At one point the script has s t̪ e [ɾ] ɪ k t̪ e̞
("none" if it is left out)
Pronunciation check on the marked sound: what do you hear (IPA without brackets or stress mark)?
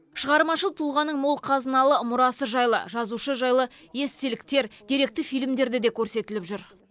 l